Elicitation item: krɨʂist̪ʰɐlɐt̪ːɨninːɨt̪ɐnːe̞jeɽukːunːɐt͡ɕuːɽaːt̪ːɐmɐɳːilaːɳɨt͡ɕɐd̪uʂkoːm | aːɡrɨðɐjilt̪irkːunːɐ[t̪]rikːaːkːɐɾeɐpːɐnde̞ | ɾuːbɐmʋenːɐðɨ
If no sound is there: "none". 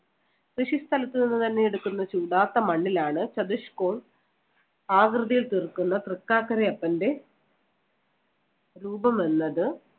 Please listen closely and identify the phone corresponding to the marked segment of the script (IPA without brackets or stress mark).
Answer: t̪